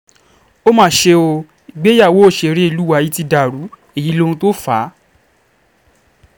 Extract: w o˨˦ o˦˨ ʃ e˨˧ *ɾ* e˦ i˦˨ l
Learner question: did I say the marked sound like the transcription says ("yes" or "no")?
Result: yes